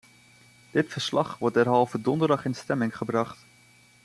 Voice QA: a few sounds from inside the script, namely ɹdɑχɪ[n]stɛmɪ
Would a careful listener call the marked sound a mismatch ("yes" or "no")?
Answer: no